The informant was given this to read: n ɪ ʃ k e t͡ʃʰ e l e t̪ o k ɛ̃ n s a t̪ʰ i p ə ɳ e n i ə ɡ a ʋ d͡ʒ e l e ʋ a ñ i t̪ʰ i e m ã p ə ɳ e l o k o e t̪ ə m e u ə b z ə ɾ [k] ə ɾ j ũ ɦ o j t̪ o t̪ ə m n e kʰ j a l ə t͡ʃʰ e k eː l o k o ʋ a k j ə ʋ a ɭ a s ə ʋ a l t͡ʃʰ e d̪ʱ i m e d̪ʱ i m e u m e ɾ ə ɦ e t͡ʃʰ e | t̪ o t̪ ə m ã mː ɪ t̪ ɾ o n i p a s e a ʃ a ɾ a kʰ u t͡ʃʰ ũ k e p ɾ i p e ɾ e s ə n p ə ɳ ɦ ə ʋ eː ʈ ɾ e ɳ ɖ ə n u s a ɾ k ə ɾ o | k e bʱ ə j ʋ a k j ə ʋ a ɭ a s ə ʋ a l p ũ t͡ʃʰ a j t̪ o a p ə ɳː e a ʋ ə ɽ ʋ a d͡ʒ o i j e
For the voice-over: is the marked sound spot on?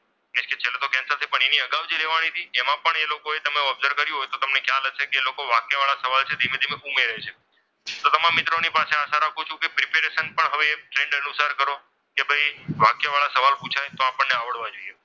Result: yes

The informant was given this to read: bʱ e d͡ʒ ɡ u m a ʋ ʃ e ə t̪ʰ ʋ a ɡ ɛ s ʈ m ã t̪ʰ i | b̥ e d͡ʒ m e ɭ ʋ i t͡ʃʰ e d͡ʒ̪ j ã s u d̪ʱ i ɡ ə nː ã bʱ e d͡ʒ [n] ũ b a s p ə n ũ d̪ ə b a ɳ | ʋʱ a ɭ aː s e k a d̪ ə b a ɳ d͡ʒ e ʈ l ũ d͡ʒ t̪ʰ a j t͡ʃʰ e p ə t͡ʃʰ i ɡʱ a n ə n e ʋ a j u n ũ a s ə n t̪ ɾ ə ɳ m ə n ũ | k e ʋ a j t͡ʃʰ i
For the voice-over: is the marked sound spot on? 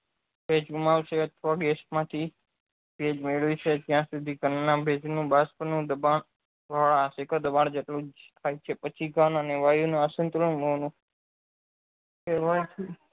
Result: yes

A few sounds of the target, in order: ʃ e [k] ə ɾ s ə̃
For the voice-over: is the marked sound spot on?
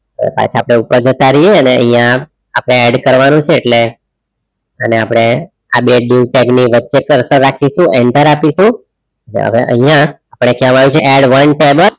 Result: yes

